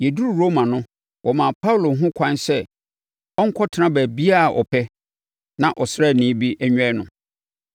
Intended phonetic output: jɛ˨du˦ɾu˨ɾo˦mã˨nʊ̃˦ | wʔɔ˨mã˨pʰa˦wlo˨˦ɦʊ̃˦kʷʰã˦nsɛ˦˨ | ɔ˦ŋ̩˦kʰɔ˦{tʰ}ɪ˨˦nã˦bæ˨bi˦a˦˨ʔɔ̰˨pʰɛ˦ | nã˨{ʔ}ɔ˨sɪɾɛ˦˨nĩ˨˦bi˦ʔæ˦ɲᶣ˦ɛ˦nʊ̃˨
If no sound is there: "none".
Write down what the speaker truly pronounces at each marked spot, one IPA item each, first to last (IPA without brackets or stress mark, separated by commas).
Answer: tʰ, ʔ